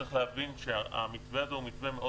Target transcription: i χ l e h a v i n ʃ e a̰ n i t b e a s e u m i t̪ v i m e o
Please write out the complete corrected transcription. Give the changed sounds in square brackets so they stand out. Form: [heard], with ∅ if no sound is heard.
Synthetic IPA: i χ l e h a v i n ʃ e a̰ [m] i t [v] e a [z] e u m i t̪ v [e] m e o